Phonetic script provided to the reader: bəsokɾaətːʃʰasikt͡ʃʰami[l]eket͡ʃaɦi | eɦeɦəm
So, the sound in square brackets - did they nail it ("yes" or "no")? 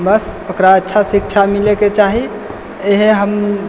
yes